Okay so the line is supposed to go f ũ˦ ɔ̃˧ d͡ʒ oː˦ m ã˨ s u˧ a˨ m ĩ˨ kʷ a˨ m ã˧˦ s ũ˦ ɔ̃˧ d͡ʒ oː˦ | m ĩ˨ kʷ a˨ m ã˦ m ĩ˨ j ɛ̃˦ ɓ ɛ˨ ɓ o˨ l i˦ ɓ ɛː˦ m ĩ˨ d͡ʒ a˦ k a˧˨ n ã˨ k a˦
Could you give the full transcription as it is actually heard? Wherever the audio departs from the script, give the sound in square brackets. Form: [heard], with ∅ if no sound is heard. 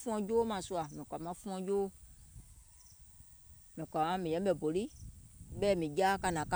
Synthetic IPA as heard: f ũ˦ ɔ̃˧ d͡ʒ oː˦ m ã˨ s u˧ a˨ m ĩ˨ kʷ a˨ m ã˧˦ [f] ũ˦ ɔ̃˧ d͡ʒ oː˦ | m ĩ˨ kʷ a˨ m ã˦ m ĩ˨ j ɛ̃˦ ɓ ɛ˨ [b] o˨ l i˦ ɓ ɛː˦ m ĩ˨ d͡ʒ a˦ k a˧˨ n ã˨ k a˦